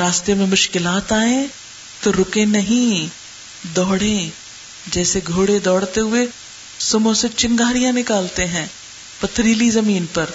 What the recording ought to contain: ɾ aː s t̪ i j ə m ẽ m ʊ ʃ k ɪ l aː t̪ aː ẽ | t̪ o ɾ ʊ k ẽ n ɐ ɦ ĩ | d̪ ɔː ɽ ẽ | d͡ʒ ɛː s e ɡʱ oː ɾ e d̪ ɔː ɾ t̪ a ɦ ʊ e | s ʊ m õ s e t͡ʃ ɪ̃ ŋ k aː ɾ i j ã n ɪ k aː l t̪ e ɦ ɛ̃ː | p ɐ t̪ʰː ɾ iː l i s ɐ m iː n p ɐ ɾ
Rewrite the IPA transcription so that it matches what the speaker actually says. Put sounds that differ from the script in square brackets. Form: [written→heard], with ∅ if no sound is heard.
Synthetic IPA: ɾ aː s t̪ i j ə m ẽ m ʊ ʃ k ɪ l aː t̪ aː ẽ | t̪ o ɾ ʊ k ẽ n ɐ ɦ ĩ | d̪ ɔː ɽ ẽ | d͡ʒ ɛː s e ɡʱ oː [ɾ→ɽ] e d̪ ɔː [ɾ→ɽ] t̪ [a→e] ɦ ʊ e | s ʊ m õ s e t͡ʃ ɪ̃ ŋ [k→ɡ] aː ɾ i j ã n ɪ k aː l t̪ e ɦ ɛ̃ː | p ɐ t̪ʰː ɾ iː l i [s→z] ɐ m iː n p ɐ ɾ